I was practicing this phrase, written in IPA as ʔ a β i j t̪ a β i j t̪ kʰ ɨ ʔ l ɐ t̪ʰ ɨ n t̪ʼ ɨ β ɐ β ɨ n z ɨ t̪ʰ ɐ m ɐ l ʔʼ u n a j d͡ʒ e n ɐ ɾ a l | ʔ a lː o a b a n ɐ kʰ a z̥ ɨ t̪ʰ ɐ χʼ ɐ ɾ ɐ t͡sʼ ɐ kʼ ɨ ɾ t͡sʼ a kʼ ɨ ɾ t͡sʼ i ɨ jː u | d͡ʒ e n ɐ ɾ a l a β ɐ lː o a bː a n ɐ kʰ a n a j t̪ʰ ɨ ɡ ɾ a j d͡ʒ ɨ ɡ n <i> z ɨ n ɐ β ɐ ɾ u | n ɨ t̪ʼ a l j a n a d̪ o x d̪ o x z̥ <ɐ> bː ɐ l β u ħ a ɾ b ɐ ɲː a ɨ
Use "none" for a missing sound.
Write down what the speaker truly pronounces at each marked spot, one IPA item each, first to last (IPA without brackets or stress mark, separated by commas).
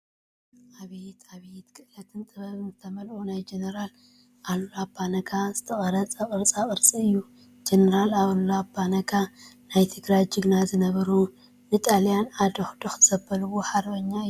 a, ɐ